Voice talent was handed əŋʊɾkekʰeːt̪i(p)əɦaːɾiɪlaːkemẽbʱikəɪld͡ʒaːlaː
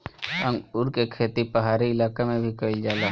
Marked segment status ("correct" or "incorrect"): correct